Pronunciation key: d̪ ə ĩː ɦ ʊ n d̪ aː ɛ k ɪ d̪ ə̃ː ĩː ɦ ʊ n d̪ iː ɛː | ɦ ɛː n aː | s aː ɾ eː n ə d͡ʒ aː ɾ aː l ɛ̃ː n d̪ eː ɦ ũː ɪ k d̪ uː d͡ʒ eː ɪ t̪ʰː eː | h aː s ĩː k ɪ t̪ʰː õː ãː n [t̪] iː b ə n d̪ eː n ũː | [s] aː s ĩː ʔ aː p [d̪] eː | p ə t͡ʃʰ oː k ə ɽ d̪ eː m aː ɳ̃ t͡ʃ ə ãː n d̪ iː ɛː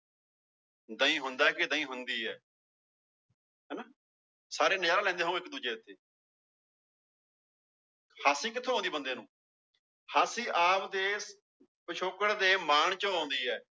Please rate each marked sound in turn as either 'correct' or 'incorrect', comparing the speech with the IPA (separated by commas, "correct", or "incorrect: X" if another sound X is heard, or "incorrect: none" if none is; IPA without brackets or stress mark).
incorrect: d̪, incorrect: h, correct